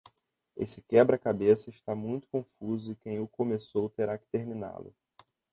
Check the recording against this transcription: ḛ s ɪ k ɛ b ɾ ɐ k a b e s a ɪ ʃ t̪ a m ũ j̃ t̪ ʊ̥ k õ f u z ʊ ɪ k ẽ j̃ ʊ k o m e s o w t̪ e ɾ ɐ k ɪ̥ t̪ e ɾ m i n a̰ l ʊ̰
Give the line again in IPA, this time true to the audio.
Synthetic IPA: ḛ s ɪ k ɛ b ɾ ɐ k a b e s ɐ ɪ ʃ t̪ a m ũ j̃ t̪ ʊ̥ k õ f u z ʊ ɪ k ẽ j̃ ʊ k o m e s o w t̪ e ɾ a k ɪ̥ t̪ e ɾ m i n a̰ l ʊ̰